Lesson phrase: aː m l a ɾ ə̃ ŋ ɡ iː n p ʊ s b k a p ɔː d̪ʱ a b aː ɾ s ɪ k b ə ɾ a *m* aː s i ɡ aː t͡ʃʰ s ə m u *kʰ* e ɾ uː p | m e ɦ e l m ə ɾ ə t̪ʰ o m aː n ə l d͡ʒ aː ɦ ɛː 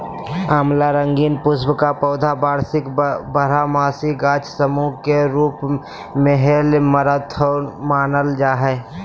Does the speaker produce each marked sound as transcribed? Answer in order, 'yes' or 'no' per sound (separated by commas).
yes, no